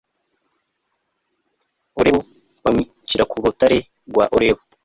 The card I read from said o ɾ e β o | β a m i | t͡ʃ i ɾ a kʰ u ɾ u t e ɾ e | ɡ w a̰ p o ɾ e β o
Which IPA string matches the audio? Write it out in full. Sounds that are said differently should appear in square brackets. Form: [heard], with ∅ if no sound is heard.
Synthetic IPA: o ɾ e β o | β a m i | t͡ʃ i ɾ a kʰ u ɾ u t [a] ɾ e | ɡ w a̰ [ʔ] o ɾ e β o